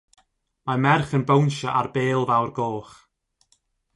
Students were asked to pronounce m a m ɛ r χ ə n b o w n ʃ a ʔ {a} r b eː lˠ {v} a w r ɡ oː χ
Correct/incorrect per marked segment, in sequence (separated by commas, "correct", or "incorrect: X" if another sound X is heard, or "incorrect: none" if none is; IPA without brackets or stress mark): correct, correct